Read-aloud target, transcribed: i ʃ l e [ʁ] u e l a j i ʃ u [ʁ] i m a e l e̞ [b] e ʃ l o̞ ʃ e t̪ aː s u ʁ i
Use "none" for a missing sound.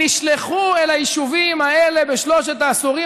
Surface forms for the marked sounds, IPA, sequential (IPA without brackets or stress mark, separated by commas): χ, v, b